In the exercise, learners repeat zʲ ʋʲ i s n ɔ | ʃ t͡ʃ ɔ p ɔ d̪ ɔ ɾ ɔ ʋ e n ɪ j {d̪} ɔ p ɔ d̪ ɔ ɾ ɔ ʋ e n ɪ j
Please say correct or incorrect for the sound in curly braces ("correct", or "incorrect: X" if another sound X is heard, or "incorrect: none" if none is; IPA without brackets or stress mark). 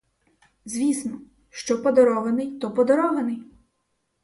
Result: incorrect: t̪